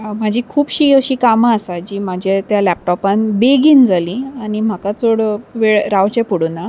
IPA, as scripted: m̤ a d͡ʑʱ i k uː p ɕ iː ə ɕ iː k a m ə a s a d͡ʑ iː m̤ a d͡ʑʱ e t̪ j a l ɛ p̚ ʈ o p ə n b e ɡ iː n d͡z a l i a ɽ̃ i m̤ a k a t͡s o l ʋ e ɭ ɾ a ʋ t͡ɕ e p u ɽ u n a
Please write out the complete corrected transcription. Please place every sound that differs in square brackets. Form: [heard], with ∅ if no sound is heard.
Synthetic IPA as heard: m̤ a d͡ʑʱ i [kʰ] uː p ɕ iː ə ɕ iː k a m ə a s a d͡ʑ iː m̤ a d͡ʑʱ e t̪ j a l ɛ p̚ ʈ [ɔ] p [a] n b e ɡ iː n d͡z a l i a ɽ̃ i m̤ a k a t͡s o [ɽ] ʋ e ɭ ɾ a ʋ t͡ɕ e p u ɽ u n a